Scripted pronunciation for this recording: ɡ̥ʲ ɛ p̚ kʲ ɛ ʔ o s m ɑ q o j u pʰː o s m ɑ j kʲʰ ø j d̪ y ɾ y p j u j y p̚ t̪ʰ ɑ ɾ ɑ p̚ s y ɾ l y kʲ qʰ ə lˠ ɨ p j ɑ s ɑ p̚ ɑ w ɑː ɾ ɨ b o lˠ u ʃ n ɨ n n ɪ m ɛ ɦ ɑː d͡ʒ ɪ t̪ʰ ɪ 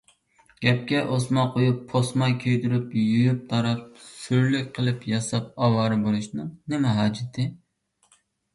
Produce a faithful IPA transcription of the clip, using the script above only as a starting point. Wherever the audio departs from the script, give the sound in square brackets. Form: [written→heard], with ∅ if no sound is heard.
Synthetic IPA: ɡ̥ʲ ɛ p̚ kʲ ɛ ʔ o s m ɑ q o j u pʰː o s m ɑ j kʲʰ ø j d̪ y ɾ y p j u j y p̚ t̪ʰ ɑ ɾ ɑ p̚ s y ɾ l y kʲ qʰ ə lˠ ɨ p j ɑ s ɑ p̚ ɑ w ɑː ɾ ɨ b o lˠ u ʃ n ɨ [n→ŋ] n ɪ m ɛ ɦ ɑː d͡ʒ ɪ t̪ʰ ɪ